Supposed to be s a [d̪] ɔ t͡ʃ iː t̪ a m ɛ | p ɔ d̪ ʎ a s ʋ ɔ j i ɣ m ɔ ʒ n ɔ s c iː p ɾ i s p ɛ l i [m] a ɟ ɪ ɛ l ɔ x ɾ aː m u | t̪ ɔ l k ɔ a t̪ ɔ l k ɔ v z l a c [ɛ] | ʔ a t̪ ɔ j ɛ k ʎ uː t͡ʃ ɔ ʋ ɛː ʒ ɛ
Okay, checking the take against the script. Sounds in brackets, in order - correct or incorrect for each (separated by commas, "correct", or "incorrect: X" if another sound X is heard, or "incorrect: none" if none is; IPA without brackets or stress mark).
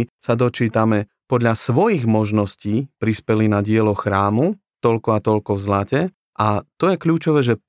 correct, incorrect: n, correct